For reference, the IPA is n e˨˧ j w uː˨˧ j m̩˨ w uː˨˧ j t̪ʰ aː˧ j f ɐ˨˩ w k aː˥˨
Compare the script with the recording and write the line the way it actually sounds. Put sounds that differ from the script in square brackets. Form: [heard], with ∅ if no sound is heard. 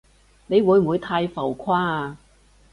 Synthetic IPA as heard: n e˨˧ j w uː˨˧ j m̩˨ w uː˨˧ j t̪ʰ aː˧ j f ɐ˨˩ w [kʰ] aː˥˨